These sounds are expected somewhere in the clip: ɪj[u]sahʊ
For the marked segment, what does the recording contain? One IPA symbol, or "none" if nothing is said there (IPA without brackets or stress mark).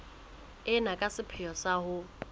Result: ɔ